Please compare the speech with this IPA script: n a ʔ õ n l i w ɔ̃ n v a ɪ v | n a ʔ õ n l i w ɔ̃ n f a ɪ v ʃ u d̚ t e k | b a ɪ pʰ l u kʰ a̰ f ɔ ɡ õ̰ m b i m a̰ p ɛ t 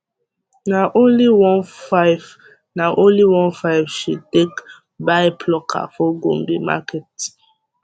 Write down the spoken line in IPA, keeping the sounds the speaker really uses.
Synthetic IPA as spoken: n a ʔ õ n l i w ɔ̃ n f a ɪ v | n a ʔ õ n l i w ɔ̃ n f a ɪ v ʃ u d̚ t e k | b a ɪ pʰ l ɔ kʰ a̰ f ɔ ɡ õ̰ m b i m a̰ k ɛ t

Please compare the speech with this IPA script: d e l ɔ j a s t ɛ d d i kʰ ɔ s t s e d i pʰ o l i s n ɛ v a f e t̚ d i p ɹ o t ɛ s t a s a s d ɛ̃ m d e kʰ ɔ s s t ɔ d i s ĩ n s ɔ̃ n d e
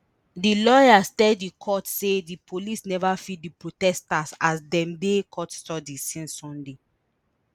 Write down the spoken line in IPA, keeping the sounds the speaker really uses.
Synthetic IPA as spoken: d i l ɔ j a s t ɛ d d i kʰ ɔ t s e d i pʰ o l i s n ɛ v a f i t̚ d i p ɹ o t ɛ s t a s a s d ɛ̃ m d e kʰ ɔ t s t ɔ d i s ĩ n s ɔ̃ n d e

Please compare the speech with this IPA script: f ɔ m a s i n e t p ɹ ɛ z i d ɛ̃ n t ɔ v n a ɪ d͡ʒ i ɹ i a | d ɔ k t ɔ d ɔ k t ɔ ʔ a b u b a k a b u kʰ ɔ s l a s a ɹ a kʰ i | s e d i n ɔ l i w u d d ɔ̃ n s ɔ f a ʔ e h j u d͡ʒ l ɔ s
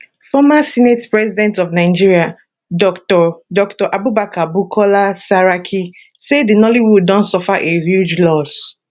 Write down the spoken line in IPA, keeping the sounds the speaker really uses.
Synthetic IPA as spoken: f ɔ m a s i n e t p ɹ ɛ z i d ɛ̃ n t ɔ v n a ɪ d͡ʒ i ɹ i a | d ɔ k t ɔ d ɔ k t ɔ ʔ a b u b a k a b u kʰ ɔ l a s a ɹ a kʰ i | s e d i n ɔ l i w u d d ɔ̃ n s ɔ f a ʔ e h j u d͡ʒ l ɔ s

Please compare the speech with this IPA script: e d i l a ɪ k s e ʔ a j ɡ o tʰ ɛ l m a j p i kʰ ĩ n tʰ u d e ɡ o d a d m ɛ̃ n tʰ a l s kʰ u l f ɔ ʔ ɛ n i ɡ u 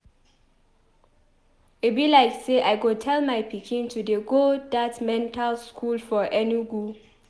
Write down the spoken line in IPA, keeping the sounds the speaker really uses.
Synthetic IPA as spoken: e b i l a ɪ k s e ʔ a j ɡ o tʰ ɛ l m a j p i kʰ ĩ n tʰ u d e ɡ o d a t m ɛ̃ n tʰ a l s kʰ u l f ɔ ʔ ɛ n i ɡ u

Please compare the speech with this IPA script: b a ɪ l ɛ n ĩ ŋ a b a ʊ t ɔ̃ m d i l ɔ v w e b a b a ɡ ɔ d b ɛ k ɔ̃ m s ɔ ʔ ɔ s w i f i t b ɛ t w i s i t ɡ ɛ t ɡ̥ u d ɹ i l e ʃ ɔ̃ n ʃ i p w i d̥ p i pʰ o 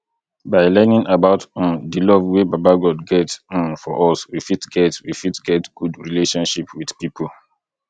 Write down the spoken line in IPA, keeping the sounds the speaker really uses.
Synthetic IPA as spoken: b a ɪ l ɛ n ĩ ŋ a b a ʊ t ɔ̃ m d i l ɔ v w e b a b a ɡ ɔ d ɡ ɛ t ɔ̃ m f ɔ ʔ ɔ s w i f i t ɡ ɛ t w i f i t ɡ ɛ t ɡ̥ u d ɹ i l e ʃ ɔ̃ n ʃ i p w i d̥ p i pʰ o

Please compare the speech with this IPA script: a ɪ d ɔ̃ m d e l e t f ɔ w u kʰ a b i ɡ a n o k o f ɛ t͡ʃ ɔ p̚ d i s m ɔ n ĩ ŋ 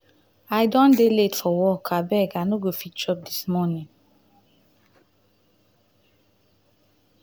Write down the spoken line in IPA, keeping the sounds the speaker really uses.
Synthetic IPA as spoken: a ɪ d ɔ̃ n d e l e t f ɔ w ɔ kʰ a b ɛ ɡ a n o ɡ o f i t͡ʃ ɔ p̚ d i s m ɔ n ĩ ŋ

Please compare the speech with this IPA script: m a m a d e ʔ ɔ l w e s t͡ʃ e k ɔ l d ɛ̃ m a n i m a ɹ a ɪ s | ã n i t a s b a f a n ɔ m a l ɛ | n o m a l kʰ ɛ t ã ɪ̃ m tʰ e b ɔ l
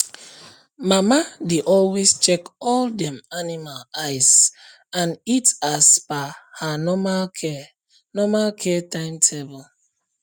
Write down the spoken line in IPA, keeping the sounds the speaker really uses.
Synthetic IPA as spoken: m a m a d e ʔ ɔ l w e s t͡ʃ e k ɔ l d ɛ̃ m a n i m a l a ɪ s | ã n i t a s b a h a n ɔ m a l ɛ | n ɔ m a l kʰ ɛ t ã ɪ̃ m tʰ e b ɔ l

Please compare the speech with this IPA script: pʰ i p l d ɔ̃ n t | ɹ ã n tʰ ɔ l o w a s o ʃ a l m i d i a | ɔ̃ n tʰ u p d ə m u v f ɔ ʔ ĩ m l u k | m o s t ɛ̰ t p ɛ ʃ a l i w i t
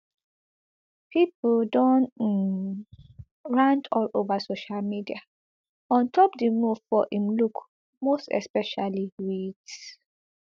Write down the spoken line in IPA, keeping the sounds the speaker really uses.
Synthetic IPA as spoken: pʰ i p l d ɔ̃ n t | ɹ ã n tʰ ɔ l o v a s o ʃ a l m i d i a | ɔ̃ n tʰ ɔ p d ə m u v f ɔ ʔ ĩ m l u k | m o s t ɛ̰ s p ɛ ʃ a l i w i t

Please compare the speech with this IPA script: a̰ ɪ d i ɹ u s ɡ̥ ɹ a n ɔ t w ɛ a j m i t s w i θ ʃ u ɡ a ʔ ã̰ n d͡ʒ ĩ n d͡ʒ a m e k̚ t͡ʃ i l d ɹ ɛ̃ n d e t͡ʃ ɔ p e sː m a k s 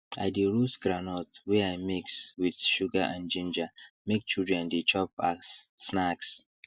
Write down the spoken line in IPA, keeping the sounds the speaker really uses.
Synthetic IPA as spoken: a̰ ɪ d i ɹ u s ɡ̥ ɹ a n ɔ t w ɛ a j m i k s w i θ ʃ u ɡ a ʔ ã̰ n d͡ʒ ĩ n d͡ʒ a m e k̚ t͡ʃ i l d ɹ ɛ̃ n d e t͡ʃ ɔ p a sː n a k s

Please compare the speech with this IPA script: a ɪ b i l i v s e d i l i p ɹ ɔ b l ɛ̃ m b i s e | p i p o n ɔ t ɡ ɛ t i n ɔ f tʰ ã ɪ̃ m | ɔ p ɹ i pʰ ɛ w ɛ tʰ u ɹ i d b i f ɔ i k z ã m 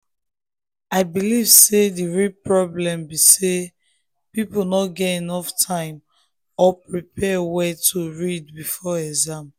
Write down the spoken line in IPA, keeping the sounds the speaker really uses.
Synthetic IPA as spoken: a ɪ b i l i v s e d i ɹ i p ɹ ɔ b l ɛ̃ m b i s e | p i p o n ɔ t ɡ ɛ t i n ɔ f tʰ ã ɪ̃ m | ɔ p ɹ i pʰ ɛ w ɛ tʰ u ɹ i d b i f ɔ ɛ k z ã m

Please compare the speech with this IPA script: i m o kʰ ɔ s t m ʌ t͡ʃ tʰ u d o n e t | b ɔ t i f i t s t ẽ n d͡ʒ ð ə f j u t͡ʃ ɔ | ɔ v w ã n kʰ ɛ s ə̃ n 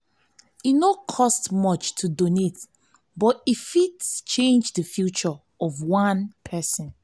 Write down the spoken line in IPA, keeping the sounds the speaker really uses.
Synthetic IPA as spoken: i n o kʰ ɔ s t m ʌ t͡ʃ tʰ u d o n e t | b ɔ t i f i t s t͡ʃ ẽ n d͡ʒ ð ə f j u t͡ʃ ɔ | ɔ v w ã n pʰ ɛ s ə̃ n

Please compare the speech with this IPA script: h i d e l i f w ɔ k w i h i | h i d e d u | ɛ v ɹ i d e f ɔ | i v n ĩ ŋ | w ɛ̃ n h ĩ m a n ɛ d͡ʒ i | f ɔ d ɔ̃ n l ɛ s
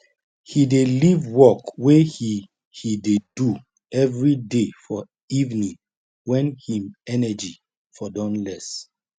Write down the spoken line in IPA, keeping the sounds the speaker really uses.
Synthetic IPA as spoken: h i d e l i v w ɔ k w e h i | h i d e d u | ɛ v ɹ i d e f ɔ | i v n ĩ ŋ | w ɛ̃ n h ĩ m ɛ n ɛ d͡ʒ i | f ɔ d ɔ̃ n l ɛ s

